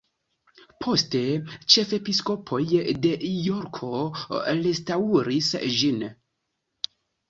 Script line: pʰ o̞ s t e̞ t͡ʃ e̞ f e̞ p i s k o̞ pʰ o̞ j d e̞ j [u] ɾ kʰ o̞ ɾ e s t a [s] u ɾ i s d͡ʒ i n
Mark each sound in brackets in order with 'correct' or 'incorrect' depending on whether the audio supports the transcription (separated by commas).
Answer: incorrect, incorrect